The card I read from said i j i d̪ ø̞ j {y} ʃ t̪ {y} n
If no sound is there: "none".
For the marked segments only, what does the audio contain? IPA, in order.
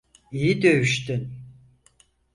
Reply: y, y

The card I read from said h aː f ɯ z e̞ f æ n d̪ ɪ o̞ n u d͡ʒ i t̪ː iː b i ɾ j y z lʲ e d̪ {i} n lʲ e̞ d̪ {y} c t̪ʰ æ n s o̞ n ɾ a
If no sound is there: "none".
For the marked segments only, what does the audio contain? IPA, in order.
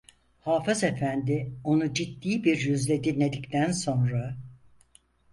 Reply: i, i

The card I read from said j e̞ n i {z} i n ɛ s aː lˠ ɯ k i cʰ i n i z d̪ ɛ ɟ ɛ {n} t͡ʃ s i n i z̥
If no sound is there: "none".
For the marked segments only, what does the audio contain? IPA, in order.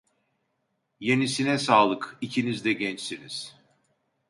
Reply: s, n

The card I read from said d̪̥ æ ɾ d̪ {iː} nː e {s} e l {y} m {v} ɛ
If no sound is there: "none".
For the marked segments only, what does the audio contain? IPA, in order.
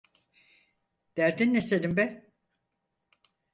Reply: i, s, i, b

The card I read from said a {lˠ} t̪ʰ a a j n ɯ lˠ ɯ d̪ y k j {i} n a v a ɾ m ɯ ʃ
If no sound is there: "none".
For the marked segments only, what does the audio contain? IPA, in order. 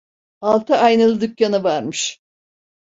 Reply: lˠ, a

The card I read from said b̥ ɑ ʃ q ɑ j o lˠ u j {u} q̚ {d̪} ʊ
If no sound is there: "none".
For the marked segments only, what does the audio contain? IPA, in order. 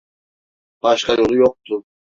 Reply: o, t̪

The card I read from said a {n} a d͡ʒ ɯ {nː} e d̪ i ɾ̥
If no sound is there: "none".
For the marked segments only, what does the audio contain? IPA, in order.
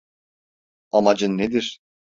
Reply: m, nː

